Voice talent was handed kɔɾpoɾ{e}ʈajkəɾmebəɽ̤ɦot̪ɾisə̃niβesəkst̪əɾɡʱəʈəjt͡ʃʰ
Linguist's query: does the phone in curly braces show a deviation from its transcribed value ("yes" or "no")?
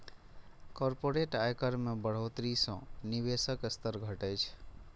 no